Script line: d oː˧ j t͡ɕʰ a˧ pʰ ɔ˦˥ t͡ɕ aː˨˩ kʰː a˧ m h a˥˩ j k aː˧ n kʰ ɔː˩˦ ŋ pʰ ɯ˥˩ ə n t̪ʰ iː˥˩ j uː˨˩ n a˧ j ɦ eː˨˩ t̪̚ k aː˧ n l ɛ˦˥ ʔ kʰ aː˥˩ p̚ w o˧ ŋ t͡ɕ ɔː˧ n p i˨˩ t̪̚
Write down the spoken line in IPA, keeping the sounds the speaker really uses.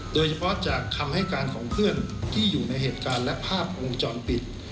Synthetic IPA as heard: d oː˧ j t͡ɕʰ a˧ pʰ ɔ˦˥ t͡ɕ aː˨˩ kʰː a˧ m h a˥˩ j k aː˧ n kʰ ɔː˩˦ ŋ pʰ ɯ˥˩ ə n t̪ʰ iː˥˩ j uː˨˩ n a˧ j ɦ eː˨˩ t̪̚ k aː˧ n l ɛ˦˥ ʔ pʰ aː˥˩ p̚ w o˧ ŋ t͡ɕ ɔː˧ n p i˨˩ t̪̚